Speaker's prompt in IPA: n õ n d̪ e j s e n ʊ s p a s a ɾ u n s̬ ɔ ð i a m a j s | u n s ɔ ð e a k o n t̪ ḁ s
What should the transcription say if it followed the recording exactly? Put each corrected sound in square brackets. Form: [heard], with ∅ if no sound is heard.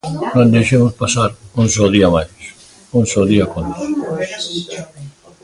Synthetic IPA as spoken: n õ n d̪ e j [ʃ] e [m] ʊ s p a s a ɾ u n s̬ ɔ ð i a m a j s | u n s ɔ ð [i] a k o n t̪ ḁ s